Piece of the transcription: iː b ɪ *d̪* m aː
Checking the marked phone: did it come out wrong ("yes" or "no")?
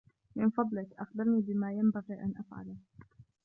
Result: yes